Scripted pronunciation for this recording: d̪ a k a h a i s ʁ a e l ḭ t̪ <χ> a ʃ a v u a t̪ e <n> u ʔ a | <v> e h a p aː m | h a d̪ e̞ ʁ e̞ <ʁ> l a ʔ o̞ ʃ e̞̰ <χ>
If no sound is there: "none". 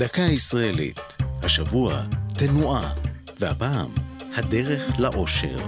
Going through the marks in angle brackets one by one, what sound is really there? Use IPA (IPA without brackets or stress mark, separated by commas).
h, n, v, χ, ʁ